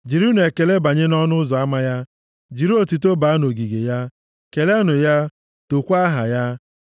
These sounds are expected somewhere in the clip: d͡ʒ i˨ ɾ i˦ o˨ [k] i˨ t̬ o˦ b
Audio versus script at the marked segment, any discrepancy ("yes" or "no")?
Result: yes